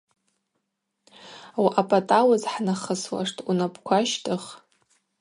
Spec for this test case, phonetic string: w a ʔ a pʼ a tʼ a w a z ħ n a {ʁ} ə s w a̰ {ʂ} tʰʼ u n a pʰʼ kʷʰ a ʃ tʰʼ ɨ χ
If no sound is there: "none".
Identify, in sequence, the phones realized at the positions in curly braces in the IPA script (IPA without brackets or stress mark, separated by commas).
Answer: χ, ʂ